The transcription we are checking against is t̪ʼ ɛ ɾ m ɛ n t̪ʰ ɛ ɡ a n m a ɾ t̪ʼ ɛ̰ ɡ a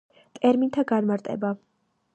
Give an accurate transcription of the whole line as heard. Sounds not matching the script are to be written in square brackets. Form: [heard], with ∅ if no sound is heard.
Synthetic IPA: t̪ʼ ɛ ɾ m [i] n t̪ʰ [a] ɡ a n m a ɾ t̪ʼ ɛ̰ [b] a